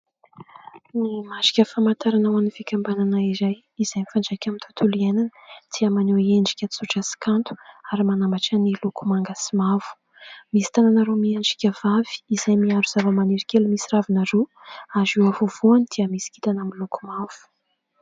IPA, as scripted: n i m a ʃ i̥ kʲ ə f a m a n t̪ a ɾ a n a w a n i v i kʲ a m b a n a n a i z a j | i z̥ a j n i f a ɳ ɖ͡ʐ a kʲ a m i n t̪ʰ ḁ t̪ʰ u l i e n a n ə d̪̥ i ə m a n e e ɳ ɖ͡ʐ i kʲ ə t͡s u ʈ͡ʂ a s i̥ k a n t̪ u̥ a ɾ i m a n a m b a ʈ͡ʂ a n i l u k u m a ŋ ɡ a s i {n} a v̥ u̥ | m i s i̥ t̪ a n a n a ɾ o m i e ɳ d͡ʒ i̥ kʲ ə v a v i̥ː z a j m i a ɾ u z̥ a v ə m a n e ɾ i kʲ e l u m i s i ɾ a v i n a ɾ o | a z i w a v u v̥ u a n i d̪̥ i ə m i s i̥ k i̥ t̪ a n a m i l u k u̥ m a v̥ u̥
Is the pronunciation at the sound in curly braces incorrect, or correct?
incorrect